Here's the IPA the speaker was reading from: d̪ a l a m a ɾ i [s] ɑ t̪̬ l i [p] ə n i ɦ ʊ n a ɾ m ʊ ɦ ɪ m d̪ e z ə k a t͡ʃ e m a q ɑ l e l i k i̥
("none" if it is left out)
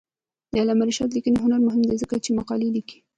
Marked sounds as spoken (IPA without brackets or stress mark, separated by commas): ʃ, k